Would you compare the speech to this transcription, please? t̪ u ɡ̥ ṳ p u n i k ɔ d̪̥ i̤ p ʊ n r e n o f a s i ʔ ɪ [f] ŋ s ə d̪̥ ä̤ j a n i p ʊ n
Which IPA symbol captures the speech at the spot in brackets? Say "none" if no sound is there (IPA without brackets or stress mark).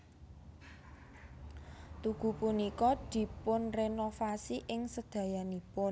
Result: none